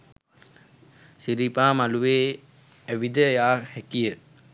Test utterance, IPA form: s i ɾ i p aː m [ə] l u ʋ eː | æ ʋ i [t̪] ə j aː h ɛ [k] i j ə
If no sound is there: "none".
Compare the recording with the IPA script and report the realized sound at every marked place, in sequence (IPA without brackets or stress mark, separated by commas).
a, d̪, k